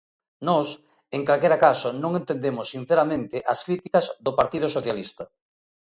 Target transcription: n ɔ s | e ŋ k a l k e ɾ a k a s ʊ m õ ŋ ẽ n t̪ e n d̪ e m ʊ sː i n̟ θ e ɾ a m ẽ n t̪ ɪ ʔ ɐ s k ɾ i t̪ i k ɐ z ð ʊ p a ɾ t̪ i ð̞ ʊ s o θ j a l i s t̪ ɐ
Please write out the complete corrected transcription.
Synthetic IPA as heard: n ɔ s | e ŋ k a l k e ɾ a k a s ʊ n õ ŋ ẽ n t̪ e n d̪ e m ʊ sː i n̟ θ e ɾ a m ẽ n t̪ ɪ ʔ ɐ s k ɾ i t̪ i k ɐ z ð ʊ p a ɾ t̪ i ð̞ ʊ s o θ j a l i s t̪ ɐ